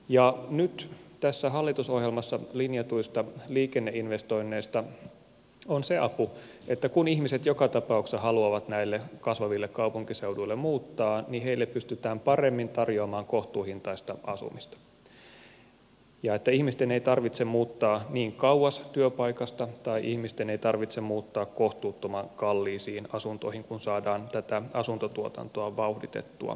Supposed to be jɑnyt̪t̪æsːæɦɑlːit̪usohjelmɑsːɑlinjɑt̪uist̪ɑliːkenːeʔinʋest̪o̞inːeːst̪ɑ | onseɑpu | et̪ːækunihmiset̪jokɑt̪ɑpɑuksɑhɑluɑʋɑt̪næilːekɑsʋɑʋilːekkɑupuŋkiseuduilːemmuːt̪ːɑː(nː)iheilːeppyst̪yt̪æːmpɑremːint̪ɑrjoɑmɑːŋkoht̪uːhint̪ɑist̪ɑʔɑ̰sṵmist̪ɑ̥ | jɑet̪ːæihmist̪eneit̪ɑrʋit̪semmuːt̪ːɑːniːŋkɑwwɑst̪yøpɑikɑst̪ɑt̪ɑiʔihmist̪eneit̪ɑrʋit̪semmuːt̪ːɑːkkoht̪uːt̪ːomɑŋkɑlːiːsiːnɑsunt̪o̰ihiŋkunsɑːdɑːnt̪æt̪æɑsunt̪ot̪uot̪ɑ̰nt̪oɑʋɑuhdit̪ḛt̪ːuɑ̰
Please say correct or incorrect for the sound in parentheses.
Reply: incorrect